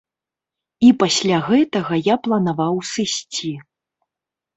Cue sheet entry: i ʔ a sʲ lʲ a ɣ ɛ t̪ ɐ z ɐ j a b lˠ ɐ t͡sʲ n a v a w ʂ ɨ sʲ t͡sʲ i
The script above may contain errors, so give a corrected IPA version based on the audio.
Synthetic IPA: i p a sʲ lʲ a ɣ ɛ t̪ ɐ ɣ ɐ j a p lˠ ɐ n a v a w s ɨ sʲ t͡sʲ i